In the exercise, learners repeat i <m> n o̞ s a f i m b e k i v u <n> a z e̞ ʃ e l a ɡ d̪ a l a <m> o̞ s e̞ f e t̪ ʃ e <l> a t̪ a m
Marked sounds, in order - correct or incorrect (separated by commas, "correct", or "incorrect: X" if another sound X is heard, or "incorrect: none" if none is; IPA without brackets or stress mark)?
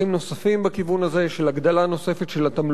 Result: correct, correct, incorrect: n, correct